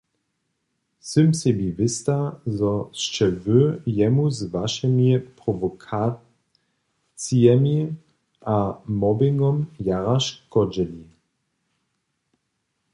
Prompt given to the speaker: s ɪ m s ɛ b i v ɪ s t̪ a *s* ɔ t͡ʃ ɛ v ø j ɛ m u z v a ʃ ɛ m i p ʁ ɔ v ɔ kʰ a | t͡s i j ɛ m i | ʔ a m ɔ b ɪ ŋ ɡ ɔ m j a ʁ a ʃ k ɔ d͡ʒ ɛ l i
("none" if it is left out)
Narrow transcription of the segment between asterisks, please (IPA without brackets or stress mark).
z